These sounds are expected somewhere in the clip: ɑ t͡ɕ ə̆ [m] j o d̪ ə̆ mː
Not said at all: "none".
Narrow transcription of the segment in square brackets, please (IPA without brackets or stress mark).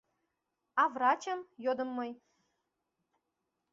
m